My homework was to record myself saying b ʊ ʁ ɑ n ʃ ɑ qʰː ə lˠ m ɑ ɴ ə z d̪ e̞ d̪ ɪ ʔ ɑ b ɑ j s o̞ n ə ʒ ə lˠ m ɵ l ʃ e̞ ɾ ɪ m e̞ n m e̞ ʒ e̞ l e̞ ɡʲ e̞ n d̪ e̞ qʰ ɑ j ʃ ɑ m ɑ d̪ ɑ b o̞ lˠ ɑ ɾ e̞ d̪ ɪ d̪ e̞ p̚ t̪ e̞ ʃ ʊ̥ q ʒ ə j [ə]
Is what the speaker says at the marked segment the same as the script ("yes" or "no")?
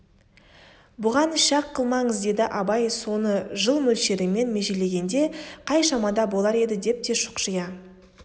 no